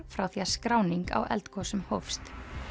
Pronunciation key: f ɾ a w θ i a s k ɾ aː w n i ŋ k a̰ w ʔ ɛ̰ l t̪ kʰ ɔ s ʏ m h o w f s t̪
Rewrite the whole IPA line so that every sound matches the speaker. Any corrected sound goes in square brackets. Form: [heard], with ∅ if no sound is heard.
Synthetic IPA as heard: f ɾ a w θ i a s k ɾ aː w n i ŋ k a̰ w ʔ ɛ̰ l t̪ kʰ ɔ s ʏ m h o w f s t̪